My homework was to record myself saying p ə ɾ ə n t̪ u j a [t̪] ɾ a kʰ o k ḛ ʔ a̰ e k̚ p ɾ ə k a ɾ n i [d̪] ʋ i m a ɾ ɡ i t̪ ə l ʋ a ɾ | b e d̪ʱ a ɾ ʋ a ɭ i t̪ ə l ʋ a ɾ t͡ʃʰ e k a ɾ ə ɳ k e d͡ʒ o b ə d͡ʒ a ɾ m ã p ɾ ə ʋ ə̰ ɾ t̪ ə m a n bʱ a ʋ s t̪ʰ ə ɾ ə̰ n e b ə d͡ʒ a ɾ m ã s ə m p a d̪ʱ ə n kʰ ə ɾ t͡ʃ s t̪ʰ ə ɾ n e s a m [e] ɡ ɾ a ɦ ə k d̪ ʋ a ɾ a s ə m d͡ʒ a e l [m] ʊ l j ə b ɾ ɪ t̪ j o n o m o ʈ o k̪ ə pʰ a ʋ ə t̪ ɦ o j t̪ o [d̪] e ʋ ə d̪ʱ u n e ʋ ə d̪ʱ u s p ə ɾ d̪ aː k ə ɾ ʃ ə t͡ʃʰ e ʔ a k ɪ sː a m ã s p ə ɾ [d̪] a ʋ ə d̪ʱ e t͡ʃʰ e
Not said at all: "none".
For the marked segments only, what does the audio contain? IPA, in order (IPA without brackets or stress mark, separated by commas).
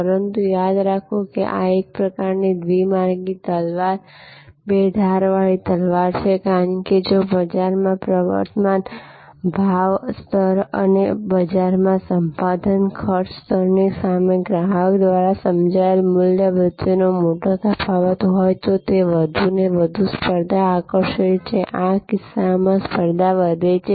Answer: d̪, d̪, e, m, t̪, d̪